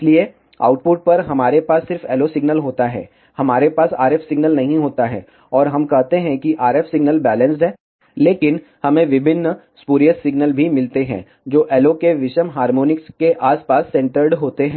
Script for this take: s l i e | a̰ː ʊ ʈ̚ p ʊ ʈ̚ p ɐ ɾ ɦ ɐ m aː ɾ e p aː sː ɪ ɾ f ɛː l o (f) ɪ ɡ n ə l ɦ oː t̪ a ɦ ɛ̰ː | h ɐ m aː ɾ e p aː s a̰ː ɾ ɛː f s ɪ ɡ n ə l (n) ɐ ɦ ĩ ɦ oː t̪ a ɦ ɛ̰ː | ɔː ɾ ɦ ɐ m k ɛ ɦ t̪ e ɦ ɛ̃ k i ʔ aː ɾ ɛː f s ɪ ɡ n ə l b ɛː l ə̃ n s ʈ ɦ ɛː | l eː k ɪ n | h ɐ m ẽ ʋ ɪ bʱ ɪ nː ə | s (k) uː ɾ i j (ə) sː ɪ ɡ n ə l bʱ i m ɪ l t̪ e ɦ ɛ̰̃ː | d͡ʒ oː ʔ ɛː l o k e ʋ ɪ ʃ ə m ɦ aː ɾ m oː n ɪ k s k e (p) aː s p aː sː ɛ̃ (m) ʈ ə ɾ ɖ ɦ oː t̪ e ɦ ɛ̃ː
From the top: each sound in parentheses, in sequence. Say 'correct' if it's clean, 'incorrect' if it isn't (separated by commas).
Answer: incorrect, correct, incorrect, correct, incorrect, incorrect